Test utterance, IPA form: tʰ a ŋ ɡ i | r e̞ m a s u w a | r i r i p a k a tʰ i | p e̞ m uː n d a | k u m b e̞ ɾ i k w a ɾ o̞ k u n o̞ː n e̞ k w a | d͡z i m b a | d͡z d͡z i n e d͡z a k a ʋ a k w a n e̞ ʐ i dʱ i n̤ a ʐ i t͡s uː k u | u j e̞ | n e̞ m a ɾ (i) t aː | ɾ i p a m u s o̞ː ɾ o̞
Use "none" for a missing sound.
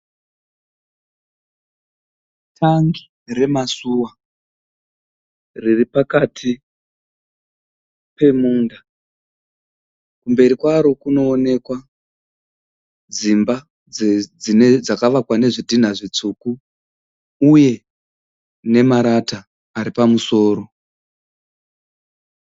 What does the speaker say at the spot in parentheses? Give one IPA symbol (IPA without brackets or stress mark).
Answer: a